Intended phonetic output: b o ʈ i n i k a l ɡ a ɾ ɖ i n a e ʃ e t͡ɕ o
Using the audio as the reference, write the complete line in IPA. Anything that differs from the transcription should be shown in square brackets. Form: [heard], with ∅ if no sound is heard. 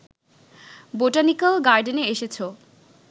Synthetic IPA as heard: b o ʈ [a] n i k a l ɡ a ɾ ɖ [e] n [e] e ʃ e [t͡ɕʰ] o